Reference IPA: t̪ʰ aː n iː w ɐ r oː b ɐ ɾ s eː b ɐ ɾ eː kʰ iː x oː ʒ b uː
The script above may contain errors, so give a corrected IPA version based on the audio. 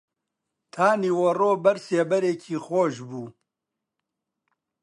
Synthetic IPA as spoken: t̪ʰ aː n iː w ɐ r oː b ɐ ɾ s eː b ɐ ɾ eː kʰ iː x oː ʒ b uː